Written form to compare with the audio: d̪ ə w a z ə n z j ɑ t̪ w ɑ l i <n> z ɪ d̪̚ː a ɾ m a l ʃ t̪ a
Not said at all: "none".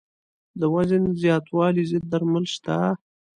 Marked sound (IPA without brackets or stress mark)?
none